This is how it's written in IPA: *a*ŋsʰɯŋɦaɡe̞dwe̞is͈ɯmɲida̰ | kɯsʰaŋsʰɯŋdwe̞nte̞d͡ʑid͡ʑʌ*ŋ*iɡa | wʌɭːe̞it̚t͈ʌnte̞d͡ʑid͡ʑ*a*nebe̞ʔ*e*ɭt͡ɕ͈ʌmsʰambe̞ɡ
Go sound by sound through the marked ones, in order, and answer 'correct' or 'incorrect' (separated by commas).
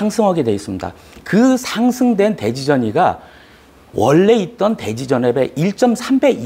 correct, incorrect, incorrect, incorrect